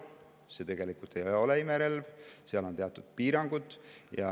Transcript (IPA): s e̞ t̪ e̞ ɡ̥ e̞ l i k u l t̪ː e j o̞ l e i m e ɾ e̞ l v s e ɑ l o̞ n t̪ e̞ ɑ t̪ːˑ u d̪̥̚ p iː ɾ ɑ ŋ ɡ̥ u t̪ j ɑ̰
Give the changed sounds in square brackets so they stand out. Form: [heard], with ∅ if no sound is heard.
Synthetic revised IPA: s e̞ t̪ e̞ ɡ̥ e̞ l i k u l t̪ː e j o̞ l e i m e ɾ e̞ l v s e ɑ l o̞ n t̪ e̞ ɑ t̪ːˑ u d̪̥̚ p iː ɾ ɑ ŋ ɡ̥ u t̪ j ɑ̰